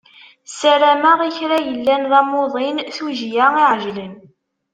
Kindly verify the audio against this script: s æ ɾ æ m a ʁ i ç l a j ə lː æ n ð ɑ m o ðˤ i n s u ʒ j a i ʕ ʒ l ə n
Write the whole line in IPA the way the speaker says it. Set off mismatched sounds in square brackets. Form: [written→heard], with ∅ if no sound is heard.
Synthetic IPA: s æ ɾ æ m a ʁ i ç [l→ɾ] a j ə lː æ n ð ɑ m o ðˤ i n [s→θ] u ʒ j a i ʕ ʒ l ə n